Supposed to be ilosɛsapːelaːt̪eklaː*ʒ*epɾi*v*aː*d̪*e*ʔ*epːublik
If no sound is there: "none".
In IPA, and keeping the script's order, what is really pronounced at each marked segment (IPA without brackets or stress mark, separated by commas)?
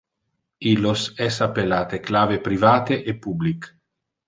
v, v, t̪, ʔ